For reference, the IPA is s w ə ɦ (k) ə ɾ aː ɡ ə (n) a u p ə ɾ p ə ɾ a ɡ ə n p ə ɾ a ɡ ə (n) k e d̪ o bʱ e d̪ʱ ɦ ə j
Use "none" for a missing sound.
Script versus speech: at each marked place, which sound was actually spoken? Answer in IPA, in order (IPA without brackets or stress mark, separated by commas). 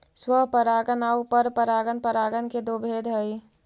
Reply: p, n, n